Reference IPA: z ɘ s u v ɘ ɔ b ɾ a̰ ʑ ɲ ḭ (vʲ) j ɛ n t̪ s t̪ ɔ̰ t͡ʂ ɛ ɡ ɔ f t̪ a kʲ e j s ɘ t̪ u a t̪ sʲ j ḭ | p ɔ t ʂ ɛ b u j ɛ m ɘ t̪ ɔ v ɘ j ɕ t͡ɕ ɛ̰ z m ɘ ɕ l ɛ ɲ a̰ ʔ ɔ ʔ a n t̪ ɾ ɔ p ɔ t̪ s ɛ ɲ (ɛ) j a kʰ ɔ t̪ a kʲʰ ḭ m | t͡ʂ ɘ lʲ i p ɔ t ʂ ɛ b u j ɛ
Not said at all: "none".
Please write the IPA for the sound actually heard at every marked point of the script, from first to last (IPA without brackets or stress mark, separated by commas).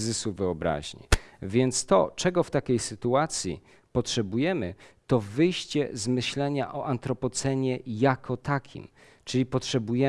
vʲ, ɛ